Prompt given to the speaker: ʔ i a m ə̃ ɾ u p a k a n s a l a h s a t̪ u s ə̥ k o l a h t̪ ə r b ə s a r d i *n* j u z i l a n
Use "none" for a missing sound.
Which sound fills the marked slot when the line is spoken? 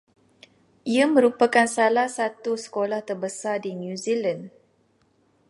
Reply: n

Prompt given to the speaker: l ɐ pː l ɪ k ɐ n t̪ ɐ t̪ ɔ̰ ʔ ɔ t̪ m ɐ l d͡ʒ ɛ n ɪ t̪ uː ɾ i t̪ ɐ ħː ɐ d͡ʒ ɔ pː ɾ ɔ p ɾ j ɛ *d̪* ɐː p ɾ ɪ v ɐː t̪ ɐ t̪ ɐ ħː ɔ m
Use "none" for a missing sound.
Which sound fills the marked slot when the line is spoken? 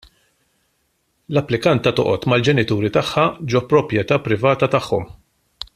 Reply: t̪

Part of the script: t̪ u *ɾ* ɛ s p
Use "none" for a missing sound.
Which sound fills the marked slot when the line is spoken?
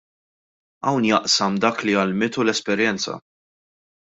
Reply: l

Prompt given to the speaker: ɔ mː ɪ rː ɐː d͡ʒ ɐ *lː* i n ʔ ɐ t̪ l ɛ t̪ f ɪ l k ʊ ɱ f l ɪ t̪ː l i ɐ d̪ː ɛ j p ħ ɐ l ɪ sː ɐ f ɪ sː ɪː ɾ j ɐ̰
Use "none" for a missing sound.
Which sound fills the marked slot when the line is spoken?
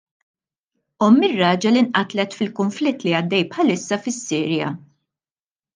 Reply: l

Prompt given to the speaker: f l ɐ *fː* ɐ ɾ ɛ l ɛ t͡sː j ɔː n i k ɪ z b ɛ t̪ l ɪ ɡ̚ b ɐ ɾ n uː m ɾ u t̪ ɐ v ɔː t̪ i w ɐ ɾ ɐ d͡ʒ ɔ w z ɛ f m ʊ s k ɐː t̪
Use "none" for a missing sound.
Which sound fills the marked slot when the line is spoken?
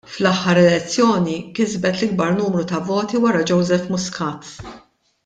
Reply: ħː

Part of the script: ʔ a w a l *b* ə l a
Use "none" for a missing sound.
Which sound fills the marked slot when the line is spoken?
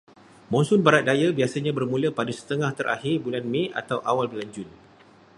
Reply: b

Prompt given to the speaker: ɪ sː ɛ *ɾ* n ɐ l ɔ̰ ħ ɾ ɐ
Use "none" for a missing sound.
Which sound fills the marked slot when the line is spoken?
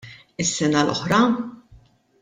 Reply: none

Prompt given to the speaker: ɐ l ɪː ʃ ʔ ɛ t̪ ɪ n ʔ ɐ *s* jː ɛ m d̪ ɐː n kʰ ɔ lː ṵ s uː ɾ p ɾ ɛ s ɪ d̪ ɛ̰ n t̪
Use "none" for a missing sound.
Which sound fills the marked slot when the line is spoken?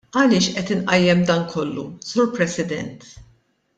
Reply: none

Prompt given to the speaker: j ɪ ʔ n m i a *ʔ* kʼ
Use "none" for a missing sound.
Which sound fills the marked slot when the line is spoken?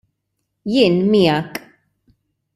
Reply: none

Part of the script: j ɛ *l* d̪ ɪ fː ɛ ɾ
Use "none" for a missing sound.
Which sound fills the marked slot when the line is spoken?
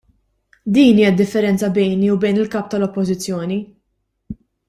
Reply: none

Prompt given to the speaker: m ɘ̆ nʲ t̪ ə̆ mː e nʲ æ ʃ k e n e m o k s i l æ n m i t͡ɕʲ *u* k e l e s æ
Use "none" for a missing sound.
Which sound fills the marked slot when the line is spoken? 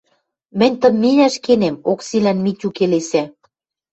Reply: u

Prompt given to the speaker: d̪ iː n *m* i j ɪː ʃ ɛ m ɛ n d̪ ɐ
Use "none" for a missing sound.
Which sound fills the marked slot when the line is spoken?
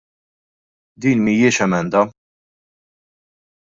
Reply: m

